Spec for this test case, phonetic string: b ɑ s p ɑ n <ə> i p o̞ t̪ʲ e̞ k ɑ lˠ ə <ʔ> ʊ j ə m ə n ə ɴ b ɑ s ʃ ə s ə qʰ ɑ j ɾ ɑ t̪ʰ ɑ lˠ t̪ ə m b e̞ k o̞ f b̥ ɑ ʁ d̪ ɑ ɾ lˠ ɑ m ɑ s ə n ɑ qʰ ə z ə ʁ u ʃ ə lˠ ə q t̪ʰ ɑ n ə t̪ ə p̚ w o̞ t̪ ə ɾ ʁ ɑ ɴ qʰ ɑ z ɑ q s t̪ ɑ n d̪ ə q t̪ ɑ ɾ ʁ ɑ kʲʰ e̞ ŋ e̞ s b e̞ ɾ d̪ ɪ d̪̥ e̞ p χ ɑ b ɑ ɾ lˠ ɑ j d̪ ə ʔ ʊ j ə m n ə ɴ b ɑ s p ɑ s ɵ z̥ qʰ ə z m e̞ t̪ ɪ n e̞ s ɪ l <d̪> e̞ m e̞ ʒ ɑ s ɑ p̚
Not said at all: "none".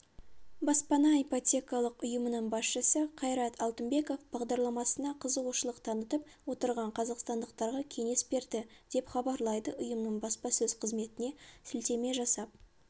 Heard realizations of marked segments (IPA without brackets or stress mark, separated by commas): ɑ, q, t̪